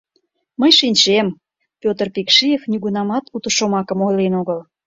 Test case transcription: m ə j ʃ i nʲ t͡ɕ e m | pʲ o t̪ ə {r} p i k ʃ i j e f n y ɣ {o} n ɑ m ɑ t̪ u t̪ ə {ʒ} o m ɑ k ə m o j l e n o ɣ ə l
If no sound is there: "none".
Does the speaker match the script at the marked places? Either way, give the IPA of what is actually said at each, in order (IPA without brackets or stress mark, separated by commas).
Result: r, u, ʃ